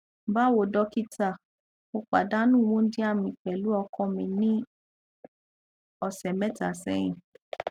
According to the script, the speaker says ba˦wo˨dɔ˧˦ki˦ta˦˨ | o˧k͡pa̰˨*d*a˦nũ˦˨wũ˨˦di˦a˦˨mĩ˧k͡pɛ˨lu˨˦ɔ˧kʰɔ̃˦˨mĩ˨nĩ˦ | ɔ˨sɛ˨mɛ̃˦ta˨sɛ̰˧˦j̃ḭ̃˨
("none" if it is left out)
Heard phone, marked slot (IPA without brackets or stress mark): d